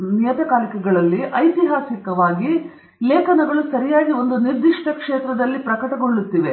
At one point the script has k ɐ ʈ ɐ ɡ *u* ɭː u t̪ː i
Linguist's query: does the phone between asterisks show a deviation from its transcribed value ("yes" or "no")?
yes